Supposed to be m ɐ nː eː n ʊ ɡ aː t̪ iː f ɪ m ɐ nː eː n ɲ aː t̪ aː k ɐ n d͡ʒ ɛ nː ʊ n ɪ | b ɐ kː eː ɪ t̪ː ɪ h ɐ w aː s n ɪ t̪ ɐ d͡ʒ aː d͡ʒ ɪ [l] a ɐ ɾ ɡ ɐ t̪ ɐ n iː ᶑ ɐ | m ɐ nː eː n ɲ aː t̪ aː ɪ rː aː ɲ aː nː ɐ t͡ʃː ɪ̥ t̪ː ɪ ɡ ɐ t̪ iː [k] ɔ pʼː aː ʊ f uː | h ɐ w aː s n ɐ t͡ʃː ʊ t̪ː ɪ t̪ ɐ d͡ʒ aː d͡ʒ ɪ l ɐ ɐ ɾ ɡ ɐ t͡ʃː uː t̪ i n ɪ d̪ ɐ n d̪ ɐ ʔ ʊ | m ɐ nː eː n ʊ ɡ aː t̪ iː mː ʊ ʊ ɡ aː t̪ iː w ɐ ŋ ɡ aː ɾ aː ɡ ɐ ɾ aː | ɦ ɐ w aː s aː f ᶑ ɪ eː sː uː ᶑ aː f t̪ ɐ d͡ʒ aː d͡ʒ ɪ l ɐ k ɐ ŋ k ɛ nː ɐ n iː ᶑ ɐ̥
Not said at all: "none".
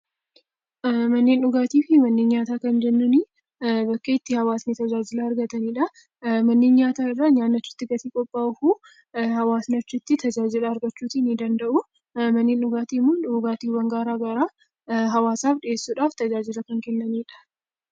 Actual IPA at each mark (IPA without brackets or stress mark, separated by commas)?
l, kʼ